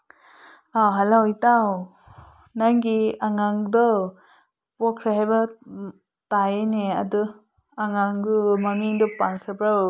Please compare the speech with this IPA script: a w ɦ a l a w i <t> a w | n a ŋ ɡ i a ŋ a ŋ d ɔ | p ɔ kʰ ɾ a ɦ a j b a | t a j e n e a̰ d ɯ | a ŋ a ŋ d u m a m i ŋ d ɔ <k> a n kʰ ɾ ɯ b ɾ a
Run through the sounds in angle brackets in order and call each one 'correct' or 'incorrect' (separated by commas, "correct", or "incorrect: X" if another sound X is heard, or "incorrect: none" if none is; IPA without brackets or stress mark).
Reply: correct, incorrect: p